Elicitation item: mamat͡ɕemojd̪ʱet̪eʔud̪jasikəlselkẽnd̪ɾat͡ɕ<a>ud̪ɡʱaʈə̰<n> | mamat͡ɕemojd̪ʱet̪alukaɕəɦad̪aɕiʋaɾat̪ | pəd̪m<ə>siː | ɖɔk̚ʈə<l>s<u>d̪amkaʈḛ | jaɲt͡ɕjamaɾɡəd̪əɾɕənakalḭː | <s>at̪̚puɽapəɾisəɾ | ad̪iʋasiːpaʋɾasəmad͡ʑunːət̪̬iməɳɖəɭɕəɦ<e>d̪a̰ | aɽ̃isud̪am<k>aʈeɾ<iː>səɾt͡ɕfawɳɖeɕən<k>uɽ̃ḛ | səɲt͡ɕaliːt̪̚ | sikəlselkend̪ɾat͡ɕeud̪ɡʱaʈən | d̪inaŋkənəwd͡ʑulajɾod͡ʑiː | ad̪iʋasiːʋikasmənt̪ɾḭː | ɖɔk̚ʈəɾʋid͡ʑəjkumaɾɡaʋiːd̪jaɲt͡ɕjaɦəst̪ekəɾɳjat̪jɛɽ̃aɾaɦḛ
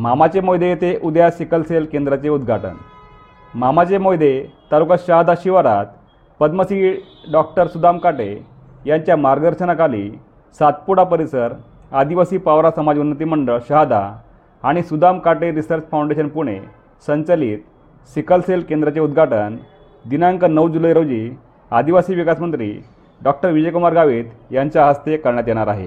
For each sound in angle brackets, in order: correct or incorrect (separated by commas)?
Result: incorrect, correct, correct, incorrect, correct, correct, incorrect, correct, incorrect, incorrect